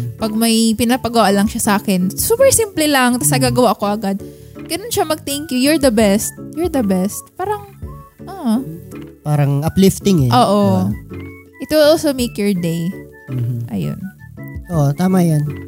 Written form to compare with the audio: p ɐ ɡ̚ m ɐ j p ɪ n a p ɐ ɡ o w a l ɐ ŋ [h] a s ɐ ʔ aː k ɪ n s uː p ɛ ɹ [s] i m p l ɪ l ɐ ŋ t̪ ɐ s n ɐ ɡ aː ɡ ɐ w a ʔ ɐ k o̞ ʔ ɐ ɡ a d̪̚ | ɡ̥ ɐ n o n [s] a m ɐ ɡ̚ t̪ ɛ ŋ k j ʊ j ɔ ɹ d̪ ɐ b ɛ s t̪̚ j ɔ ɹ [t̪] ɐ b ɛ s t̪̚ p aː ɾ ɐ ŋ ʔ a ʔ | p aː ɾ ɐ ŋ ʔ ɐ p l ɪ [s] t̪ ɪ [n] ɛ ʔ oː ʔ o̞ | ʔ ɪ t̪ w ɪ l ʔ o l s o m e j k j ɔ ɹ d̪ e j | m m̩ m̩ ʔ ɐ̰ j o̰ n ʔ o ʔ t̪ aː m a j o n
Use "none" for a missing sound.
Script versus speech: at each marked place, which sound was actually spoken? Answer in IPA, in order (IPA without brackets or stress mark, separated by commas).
ʃ, s, ʃ, d̪, f, ŋ